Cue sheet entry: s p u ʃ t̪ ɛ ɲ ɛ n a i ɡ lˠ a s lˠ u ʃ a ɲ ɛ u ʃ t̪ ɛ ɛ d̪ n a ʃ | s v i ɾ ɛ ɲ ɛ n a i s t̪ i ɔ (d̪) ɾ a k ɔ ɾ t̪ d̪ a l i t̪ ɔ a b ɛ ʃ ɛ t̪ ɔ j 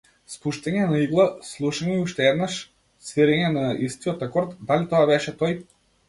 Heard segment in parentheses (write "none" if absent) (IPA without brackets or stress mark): t̪